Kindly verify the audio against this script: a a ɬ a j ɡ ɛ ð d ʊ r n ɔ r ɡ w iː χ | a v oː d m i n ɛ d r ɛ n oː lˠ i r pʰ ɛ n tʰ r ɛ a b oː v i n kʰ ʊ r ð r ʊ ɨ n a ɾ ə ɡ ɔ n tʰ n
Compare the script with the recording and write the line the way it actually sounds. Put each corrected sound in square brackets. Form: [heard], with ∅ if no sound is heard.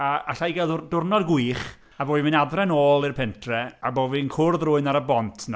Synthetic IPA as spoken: a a ɬ a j ɡ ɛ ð d ʊ r n ɔ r ɡ w iː χ | a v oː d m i n [a] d r ɛ n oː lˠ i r pʰ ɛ n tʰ r ɛ a b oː v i n kʰ ʊ r ð r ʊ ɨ n a ɾ ə [b] ɔ n tʰ n